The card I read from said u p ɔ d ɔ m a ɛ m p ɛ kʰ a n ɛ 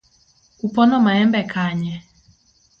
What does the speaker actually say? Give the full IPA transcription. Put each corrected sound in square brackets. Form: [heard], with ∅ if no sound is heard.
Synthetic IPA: u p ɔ [n] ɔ m a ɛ m [b] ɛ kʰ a [ɲ] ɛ